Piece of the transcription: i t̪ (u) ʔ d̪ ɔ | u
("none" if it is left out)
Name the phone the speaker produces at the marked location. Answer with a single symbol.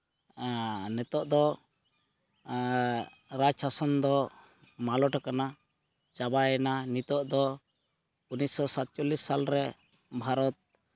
ɔ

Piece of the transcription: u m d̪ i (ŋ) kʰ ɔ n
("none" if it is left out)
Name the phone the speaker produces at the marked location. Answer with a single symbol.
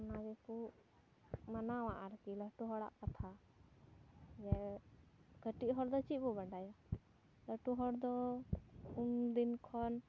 n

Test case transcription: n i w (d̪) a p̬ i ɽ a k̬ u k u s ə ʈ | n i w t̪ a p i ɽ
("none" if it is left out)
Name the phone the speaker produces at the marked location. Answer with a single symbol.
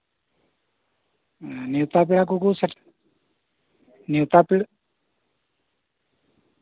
t̪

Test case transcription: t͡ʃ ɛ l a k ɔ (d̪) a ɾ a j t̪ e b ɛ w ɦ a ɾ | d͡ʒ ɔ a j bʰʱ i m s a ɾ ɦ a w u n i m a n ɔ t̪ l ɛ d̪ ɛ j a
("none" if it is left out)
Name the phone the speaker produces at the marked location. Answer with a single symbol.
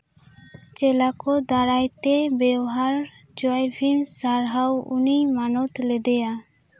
d̪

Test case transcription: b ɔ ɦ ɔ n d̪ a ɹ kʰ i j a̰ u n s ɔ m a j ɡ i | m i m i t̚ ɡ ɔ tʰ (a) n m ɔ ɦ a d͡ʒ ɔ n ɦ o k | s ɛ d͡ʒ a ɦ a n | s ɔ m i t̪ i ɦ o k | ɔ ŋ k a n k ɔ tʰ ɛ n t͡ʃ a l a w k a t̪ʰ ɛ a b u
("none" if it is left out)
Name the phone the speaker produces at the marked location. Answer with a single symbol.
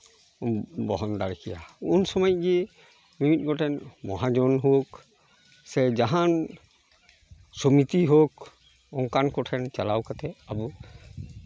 ɛ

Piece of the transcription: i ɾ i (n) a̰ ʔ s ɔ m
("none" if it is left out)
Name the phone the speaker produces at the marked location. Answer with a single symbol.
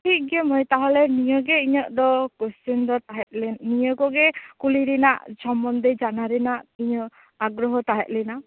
n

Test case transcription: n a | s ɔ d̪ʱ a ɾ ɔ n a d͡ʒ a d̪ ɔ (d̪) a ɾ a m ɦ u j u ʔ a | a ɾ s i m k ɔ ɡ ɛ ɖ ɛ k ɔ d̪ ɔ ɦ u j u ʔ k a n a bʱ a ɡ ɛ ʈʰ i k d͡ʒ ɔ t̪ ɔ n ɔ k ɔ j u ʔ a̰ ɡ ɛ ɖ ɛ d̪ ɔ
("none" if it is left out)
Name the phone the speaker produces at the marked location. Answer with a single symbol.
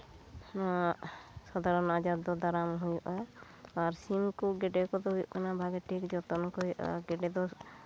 d̪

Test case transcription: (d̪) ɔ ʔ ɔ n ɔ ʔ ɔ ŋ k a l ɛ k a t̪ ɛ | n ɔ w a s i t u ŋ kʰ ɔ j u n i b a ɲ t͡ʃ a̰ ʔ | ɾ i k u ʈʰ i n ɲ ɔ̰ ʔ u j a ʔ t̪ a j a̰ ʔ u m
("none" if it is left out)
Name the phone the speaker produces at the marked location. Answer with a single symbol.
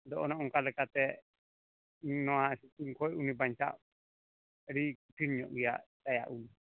d̪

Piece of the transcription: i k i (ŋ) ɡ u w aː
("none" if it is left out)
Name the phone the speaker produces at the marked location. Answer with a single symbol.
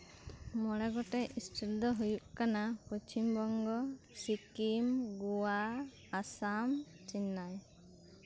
m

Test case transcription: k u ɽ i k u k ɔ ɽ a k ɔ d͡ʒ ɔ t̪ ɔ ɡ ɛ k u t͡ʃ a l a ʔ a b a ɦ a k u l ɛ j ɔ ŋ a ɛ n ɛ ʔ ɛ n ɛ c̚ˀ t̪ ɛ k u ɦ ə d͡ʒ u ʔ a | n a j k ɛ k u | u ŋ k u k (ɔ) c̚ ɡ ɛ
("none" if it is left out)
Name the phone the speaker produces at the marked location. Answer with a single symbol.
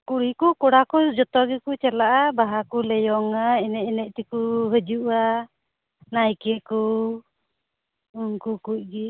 u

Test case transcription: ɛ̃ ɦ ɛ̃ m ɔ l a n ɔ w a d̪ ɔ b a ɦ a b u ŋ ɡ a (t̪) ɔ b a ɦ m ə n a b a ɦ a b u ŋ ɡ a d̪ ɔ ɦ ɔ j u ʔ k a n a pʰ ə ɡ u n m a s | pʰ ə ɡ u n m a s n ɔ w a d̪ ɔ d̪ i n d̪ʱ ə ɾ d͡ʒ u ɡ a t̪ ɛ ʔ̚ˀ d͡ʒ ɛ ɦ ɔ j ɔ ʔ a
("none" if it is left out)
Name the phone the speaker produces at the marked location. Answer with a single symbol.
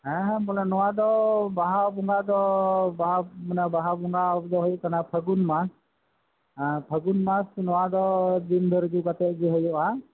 d̪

